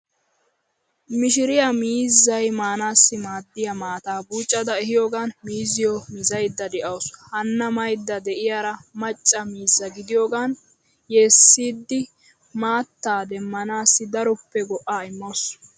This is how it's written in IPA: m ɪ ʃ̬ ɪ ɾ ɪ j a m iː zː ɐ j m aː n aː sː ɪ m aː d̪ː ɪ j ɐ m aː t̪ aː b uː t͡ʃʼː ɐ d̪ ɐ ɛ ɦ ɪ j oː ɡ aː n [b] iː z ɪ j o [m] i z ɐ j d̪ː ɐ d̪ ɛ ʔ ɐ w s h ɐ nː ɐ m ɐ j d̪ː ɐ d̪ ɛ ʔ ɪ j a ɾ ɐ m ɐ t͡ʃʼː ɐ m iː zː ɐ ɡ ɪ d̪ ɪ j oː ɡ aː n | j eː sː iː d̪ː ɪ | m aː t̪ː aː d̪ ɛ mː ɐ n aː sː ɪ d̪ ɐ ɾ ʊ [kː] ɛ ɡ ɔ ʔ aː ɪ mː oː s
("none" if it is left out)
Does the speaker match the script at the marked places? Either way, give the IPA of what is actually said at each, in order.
m, m, pː

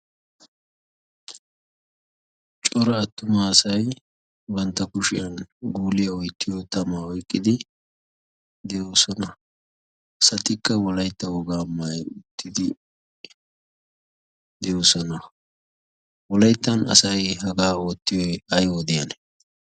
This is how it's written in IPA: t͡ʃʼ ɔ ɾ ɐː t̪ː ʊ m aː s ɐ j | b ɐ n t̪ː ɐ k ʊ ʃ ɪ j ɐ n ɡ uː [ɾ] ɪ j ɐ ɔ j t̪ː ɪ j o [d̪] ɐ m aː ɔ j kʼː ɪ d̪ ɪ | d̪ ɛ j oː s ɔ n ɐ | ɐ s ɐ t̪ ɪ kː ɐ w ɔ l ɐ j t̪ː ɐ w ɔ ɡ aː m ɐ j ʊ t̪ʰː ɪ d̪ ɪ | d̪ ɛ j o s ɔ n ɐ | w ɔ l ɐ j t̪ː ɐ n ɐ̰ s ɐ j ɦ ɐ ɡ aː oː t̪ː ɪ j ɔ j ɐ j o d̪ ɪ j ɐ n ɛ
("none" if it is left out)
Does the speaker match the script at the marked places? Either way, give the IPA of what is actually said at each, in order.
l, t̪

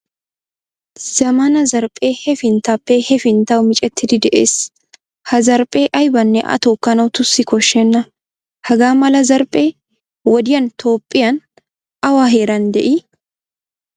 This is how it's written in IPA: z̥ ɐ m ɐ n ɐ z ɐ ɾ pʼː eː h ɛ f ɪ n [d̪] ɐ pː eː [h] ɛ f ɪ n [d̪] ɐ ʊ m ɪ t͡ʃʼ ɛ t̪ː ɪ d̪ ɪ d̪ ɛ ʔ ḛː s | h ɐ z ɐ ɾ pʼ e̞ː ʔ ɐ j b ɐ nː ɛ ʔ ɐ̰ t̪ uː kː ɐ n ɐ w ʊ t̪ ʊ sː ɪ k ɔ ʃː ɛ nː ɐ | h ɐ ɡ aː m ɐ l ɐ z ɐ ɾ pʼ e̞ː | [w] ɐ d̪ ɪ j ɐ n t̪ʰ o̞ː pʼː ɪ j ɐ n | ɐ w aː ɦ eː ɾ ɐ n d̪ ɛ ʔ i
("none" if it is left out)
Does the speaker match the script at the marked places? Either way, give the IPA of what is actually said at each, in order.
t̪, h, t̪, w

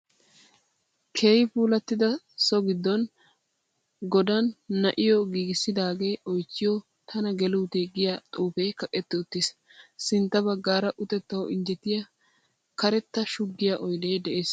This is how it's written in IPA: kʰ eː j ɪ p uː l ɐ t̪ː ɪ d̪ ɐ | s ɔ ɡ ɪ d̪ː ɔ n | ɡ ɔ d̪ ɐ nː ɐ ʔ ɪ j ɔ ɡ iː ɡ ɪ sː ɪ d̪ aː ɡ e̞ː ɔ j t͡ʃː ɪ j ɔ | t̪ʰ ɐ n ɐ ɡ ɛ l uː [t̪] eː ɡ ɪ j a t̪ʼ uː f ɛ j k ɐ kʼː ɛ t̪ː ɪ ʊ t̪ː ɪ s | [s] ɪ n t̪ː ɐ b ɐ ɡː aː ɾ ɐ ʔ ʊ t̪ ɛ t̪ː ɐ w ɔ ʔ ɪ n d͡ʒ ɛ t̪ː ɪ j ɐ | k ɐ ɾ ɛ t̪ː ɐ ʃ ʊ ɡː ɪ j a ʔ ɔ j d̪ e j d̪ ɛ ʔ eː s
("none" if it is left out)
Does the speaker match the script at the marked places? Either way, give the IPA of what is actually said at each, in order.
t̪, s

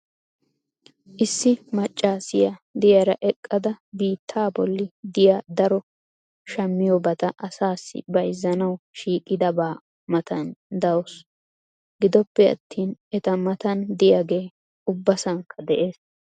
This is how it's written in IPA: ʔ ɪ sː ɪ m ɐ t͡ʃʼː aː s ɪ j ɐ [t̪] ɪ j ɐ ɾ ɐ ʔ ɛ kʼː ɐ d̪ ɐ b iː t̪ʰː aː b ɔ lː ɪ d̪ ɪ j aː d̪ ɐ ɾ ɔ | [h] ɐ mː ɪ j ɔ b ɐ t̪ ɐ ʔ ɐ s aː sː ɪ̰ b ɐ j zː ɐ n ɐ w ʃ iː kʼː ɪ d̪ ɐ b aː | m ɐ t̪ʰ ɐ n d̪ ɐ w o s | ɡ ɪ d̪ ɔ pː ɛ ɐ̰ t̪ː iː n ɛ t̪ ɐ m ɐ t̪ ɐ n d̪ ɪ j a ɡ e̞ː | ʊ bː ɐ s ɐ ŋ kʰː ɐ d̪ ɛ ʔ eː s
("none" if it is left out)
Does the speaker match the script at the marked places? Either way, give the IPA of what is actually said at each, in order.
d̪, ʃ

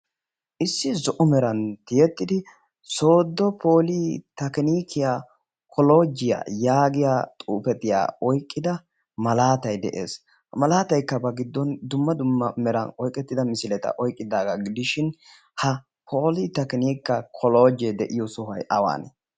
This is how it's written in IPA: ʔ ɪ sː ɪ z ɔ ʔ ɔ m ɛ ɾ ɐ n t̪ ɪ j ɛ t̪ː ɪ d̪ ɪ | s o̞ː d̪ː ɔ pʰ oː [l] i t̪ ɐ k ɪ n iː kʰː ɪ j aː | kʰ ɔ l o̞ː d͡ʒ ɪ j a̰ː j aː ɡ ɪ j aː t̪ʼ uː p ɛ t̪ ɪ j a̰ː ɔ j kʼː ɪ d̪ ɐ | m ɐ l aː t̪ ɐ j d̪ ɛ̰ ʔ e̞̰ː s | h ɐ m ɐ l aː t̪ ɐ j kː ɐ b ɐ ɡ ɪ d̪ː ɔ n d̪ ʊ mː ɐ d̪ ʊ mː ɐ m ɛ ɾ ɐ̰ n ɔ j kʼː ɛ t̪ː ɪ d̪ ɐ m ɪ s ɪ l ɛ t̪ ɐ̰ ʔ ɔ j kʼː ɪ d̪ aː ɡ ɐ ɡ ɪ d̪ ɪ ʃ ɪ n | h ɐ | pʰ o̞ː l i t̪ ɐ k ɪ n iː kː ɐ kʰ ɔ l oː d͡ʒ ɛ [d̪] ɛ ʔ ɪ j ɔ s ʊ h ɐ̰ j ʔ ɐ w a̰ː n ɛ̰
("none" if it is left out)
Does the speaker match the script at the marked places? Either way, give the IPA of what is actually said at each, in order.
l, d̪

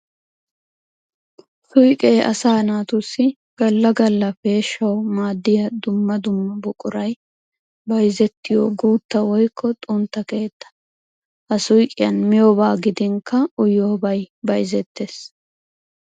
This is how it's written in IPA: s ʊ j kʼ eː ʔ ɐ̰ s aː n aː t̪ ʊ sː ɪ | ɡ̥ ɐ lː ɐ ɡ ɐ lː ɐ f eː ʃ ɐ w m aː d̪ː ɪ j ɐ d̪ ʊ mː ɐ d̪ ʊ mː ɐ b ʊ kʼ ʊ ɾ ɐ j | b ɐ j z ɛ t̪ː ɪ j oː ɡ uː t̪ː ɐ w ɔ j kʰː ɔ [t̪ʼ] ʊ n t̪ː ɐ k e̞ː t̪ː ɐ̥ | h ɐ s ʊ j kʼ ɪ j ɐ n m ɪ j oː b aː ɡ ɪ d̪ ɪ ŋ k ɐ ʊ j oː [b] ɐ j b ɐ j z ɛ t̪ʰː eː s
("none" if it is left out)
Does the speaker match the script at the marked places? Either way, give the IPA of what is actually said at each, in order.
t̪ʼ, b

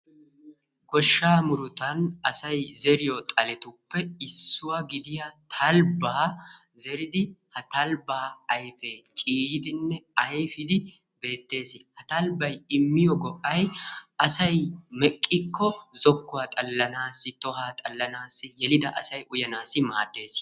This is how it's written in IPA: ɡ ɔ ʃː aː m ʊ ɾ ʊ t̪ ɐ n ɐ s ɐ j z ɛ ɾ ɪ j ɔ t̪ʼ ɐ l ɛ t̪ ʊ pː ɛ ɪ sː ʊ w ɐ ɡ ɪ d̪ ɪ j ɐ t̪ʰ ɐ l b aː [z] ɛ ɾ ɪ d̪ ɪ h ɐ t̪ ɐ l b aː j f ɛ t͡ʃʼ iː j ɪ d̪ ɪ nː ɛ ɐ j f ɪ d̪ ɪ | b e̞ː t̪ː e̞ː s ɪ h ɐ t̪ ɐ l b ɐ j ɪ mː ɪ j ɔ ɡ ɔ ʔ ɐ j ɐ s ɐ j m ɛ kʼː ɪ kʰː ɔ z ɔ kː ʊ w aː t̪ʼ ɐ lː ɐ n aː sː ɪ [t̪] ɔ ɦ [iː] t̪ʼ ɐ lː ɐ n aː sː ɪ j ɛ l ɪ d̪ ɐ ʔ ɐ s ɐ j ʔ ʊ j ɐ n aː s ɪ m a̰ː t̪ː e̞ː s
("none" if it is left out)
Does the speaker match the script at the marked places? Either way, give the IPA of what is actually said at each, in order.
z, t̪, aː

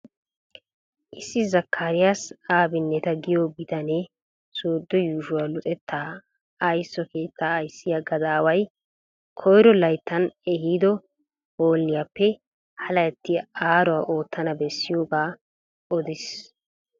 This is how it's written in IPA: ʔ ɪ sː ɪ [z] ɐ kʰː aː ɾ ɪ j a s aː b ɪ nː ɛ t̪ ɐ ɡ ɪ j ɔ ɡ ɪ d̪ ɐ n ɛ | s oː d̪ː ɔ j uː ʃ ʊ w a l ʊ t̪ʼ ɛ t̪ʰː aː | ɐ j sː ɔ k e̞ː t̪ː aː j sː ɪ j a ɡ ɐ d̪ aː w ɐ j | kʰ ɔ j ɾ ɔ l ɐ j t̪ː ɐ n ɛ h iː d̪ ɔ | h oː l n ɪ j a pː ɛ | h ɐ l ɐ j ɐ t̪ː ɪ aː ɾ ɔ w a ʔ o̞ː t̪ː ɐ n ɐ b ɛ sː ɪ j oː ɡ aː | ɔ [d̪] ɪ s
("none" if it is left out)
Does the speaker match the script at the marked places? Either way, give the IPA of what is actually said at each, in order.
z, d̪

